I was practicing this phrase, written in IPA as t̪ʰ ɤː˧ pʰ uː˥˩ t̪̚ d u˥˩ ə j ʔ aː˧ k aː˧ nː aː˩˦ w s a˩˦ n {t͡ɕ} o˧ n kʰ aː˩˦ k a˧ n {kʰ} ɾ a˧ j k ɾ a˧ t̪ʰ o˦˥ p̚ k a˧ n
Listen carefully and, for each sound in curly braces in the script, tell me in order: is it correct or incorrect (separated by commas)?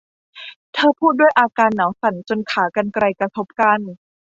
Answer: correct, incorrect